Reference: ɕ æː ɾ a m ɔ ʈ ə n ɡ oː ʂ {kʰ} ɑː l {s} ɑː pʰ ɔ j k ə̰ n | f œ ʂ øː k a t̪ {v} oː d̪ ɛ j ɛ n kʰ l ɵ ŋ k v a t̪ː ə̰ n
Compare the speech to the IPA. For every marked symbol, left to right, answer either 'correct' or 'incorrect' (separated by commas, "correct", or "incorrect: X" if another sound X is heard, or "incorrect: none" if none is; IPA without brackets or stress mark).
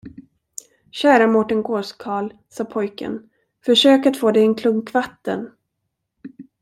correct, correct, incorrect: f